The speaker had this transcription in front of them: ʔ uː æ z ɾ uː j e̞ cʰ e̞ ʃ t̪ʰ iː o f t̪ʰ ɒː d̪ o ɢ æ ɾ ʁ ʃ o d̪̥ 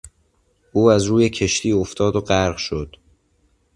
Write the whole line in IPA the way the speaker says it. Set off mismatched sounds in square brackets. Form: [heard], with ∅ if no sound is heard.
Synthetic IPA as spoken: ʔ uː æ z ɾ uː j e̞ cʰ e̞ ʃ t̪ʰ iː o f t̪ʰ ɒː d̪ o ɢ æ ɾ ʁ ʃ o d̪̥